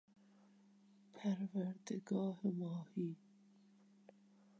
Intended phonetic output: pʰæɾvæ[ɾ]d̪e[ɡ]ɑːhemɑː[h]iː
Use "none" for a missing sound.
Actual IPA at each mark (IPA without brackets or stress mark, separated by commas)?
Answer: ɾ, ɡ, h